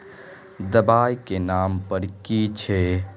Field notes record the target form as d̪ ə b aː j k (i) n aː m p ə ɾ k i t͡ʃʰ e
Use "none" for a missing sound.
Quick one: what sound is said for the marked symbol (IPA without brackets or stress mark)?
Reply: e